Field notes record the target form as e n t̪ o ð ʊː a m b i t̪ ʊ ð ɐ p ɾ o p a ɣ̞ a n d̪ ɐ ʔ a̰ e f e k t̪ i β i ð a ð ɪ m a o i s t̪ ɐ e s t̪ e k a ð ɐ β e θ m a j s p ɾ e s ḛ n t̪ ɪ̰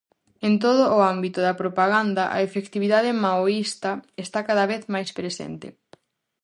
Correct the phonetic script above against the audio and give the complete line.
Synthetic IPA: e n t̪ o ð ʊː a m b i t̪ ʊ ð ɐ p ɾ o p a ɣ̞ a n d̪ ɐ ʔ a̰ e f e k t̪ i β i ð a ð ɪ m a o i s t̪ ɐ e s t̪ a k a ð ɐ β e θ m a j s p ɾ e s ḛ n t̪ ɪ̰